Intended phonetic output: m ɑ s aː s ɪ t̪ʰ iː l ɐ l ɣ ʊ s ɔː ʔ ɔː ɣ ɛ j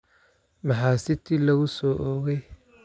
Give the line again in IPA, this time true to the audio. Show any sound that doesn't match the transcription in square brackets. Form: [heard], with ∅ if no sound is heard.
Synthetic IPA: m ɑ [ħ] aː s ɪ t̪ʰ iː l ɐ [∅] ɣ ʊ s ɔː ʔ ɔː ɣ ɛ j